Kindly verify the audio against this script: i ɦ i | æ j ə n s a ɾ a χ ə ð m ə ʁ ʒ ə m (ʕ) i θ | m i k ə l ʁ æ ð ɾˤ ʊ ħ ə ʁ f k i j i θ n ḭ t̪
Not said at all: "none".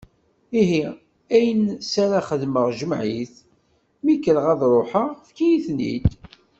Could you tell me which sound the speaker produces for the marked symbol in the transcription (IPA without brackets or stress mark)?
ʕ